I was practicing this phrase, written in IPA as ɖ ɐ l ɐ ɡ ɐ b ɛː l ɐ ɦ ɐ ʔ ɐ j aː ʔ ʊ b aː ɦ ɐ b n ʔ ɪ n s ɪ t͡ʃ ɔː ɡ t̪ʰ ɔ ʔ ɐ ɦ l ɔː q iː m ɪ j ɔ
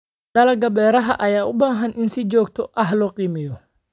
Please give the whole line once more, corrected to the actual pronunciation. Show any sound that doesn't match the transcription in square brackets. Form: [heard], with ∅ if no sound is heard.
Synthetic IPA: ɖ ɐ l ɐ ɡ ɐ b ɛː [ɾ] ɐ ɦ ɐ ʔ ɐ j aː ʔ ʊ b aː ɦ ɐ [∅] n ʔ ɪ n s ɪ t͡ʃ ɔː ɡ t̪ʰ ɔ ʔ ɐ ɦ l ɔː q iː m ɪ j ɔ